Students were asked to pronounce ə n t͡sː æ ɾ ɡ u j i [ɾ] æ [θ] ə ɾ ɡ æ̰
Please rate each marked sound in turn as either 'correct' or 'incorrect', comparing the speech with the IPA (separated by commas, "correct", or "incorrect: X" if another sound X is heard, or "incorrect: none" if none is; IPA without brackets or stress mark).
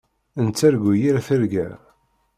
correct, correct